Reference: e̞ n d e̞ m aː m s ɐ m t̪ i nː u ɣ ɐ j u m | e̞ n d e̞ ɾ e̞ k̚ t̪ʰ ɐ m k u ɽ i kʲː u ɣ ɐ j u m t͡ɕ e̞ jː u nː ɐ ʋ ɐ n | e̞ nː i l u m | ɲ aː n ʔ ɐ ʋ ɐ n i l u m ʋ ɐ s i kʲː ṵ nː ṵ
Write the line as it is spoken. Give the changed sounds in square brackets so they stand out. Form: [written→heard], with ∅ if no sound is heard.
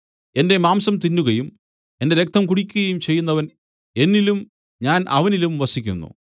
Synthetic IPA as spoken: e̞ n d e̞ m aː m s ɐ m t̪ i nː u ɣ ɐ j u m | e̞ n d e̞ ɾ e̞ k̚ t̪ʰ ɐ m k u ɽ i kʲː u ɣ ɐ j u m t͡ɕ e̞ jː u nː ɐ ʋ ɐ n | e̞ nː i l u m | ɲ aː n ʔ ɐ ʋ ɐ n i l u m ʋ ɐ s i kʲː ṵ nː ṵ